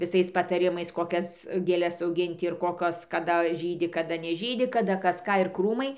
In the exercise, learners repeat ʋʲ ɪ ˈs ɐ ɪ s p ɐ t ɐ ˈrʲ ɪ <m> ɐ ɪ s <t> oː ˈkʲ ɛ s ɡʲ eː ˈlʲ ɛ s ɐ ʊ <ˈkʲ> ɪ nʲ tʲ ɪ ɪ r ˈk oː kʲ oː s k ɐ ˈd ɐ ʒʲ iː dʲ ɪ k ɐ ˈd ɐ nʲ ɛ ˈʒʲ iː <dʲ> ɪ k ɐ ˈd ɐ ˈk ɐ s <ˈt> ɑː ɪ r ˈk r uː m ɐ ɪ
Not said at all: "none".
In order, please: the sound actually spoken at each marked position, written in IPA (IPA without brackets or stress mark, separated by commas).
m, k, ɡʲ, dʲ, k